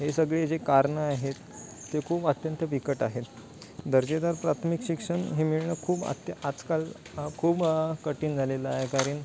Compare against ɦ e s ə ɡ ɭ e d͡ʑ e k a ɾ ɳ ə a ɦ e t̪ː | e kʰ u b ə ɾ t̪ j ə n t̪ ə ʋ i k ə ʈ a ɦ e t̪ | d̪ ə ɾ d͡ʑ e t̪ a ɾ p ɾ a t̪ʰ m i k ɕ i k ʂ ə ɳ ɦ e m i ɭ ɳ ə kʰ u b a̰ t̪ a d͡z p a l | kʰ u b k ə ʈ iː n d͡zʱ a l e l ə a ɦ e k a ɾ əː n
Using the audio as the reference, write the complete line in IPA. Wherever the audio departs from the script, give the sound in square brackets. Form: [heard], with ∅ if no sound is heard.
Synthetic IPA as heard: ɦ e s ə ɡ ɭ e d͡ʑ e k a ɾ ɳ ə a ɦ e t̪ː | e kʰ [uː] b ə [∅] t̪ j ə n t̪ ə ʋ i k ə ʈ a ɦ e t̪ | d̪ ə ɾ d͡ʑ e [d̪] a ɾ p ɾ a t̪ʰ m i k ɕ i k ʂ ə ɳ ɦ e m i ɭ ɳ ə kʰ [uː] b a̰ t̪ a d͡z [k] a l | kʰ [uː] b k ə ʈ iː n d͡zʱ a l e l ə a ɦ e k a ɾ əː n

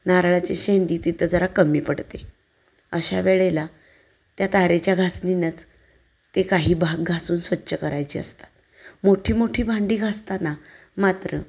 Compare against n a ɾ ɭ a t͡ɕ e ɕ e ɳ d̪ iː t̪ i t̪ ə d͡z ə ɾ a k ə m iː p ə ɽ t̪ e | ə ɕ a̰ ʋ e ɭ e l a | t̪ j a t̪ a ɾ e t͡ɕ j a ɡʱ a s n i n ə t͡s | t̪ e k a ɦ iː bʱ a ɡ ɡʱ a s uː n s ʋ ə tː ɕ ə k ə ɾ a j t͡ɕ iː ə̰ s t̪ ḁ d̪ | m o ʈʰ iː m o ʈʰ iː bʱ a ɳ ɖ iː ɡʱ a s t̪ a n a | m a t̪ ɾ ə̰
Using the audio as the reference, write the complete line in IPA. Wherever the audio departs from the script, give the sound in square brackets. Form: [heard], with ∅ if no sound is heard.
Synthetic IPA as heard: n a ɾ ɭ a t͡ɕ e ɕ e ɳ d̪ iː t̪ i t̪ ə d͡z ə ɾ a k ə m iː p ə ɽ t̪ e | ə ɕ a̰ ʋ e ɭ e l a | t̪ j a t̪ a ɾ e t͡ɕ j a ɡʱ a s n i n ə t͡s | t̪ e k a ɦ iː bʱ a ɡ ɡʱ a s uː n s ʋ ə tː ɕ ə k ə ɾ a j t͡ɕ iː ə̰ s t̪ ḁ [t̪] | m o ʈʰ iː m o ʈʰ iː bʱ a ɳ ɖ iː ɡʱ a s t̪ a n a | m a t̪ ɾ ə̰

